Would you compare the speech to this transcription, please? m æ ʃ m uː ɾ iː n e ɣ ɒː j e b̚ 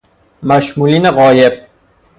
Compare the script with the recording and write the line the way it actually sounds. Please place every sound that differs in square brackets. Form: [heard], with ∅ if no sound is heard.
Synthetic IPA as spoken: m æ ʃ m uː [l] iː n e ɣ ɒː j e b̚

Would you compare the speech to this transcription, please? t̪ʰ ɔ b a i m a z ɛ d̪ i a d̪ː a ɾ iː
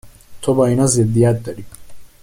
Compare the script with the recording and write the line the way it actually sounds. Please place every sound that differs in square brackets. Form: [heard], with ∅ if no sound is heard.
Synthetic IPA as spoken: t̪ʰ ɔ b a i [n] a z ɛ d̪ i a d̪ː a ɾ [i]

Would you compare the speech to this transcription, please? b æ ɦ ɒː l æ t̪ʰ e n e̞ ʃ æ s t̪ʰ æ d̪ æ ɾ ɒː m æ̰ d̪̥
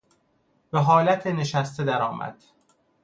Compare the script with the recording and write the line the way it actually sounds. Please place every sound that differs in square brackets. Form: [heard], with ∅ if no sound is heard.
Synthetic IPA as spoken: b [e] ɦ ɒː l æ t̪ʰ e n e̞ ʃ æ s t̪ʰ [e] d̪ æ ɾ ɒː m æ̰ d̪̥

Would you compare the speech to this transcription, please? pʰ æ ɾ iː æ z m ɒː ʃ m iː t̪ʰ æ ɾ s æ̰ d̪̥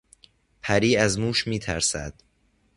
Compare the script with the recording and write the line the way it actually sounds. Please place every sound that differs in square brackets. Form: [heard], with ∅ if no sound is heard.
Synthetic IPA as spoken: pʰ æ ɾ iː æ z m [uː] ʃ m iː t̪ʰ æ ɾ s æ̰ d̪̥

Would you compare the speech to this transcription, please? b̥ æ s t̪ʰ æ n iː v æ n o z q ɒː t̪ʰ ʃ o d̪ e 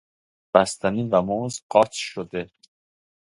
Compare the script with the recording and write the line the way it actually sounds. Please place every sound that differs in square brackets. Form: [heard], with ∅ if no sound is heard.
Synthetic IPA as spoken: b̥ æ s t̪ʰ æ n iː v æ [m] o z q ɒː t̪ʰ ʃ o d̪ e

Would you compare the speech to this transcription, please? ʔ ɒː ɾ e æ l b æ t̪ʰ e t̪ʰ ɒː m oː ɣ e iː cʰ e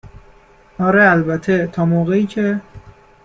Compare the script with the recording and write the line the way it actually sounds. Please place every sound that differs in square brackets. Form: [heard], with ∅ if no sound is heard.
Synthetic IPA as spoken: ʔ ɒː ɾ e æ l b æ t̪ʰ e t̪ʰ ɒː m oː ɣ e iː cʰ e

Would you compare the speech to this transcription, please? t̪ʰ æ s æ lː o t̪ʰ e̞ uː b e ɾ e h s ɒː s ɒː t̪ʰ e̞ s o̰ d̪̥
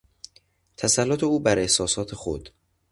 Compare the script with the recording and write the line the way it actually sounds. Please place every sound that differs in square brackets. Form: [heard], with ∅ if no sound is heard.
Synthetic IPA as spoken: t̪ʰ æ s æ lː o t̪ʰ e̞ uː b [æ] ɾ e h s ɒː s ɒː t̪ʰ e̞ [x] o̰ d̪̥

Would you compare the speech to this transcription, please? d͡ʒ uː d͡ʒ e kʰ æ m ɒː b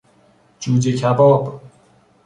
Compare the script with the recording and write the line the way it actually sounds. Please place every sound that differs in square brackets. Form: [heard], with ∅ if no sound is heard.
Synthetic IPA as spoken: d͡ʒ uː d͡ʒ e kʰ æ [b] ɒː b

